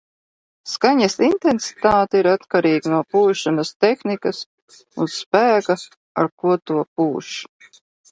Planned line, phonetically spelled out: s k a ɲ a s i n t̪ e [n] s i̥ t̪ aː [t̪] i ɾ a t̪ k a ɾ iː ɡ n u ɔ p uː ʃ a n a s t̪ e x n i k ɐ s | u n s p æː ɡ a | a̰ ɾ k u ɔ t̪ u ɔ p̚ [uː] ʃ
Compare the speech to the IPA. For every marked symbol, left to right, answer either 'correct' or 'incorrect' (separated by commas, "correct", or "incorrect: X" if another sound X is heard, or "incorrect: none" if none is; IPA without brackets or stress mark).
correct, correct, correct